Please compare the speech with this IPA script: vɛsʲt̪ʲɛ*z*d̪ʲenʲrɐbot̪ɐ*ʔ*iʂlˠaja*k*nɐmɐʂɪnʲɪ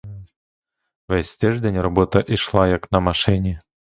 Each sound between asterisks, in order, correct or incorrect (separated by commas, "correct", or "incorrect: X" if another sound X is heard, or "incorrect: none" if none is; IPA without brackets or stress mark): incorrect: ʐ, correct, correct